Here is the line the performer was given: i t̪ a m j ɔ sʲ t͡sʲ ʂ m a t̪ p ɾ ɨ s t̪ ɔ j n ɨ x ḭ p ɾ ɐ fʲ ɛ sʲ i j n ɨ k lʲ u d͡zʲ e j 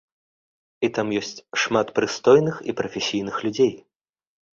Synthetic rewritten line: i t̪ a m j ɔ sʲ t͡sʲ ʂ m a t̪ p ɾ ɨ s t̪ ɔ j n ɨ x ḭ p ɾ ɐ fʲ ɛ sʲ i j n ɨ x lʲ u d͡zʲ e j